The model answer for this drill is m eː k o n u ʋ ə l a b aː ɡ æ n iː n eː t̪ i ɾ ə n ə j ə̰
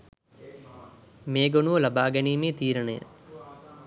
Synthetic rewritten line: m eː ɡ o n u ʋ ə l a b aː ɡ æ n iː m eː t̪ iː ɾ ə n ə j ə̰